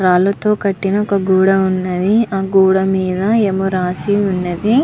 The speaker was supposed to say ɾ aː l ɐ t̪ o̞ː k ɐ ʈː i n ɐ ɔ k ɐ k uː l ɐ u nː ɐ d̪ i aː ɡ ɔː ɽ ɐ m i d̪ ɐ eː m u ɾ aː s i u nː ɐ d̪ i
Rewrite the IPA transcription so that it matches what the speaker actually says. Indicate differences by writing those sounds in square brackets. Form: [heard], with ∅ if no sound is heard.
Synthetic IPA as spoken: ɾ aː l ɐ t̪ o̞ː k ɐ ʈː i n ɐ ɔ k ɐ [ɡ] uː [ɽ] ɐ u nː ɐ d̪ i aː ɡ [uː] ɽ ɐ m [iː] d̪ ɐ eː m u ɾ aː s i u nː ɐ d̪ i